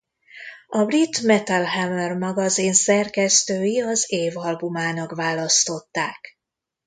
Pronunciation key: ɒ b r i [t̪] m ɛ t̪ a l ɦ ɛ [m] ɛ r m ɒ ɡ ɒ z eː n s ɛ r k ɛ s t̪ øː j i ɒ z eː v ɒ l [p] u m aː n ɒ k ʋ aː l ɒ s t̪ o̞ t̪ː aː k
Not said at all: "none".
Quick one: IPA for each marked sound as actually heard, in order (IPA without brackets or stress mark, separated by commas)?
t̪, m, b